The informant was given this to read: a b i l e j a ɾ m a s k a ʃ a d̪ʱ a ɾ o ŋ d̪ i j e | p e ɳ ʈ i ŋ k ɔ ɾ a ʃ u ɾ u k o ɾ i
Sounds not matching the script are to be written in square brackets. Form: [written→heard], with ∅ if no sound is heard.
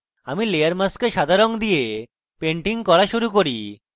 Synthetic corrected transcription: a [b→m] i l e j a ɾ m a s k [a→e] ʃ a d̪ʱ a ɾ o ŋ d̪ i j e | p e ɳ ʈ i ŋ k ɔ ɾ a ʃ u ɾ u k o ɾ i

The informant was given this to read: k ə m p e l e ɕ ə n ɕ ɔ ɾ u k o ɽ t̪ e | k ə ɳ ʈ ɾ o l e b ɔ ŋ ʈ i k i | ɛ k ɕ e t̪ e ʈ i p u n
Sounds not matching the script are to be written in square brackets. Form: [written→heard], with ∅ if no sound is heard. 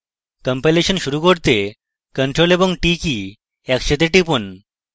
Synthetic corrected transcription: k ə m p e l e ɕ ə n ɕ [ɔ→u] ɾ u k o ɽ t̪ e | k ə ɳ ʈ ɾ o l e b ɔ ŋ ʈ i k i | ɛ k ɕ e t̪ e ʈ i p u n

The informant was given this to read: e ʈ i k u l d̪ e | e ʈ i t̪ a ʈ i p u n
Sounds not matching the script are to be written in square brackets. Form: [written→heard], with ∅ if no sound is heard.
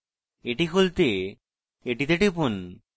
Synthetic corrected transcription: e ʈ i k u l [d̪→t̪] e | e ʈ i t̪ [a→e] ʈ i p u n

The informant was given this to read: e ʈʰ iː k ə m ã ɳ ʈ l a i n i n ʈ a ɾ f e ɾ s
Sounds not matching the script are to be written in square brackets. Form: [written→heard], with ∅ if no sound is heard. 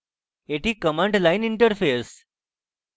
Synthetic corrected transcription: e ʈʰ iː k ə m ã ɳ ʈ l a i n i [n→ɳ] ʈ [a→ə] ɾ f e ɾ s

